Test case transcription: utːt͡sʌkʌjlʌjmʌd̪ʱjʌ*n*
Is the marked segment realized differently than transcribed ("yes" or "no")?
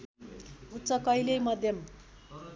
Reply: yes